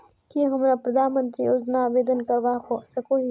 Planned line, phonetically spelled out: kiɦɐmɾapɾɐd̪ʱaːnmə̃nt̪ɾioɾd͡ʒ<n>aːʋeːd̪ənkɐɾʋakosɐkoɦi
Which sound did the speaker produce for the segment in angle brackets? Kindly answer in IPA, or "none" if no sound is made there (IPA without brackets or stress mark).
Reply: n